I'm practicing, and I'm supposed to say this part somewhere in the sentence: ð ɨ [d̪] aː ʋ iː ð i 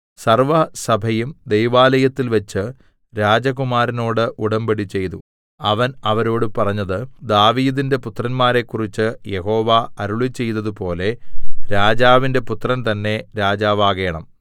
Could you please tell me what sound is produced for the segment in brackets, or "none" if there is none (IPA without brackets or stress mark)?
d̪